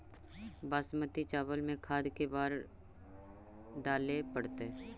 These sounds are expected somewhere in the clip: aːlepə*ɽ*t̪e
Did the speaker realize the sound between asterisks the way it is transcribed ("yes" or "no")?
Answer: yes